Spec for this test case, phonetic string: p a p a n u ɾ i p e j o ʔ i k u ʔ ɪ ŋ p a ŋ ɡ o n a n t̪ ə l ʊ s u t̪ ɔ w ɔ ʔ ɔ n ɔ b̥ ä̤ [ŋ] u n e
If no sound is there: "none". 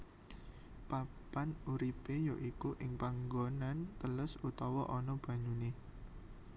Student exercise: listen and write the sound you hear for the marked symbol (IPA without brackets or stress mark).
ɲ